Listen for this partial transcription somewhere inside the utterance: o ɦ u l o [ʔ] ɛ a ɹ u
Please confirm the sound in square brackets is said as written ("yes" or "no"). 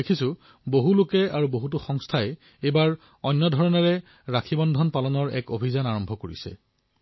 no